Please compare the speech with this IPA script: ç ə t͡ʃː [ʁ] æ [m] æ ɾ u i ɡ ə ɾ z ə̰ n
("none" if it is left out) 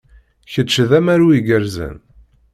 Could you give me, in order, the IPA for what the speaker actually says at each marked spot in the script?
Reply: ð, m

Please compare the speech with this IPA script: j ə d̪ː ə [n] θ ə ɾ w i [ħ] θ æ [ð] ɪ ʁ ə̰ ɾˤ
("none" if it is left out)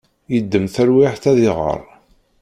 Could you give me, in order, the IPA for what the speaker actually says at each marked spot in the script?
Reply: m, ħ, ð

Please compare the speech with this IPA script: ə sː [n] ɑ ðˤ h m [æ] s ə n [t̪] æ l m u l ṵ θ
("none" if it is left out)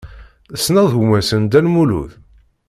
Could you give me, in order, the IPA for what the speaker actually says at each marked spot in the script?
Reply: n, æ, d̪

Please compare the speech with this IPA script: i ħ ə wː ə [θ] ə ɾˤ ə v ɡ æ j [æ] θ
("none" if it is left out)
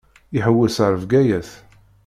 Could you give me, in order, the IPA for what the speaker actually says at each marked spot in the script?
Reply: s, æ

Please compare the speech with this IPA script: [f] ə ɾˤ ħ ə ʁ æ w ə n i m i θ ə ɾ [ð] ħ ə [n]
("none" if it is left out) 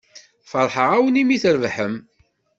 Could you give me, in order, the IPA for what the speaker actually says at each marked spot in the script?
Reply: f, v, m

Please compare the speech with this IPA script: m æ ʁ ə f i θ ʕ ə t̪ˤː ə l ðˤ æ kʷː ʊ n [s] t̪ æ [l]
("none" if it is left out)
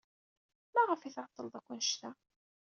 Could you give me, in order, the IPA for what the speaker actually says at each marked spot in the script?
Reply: ʃ, none

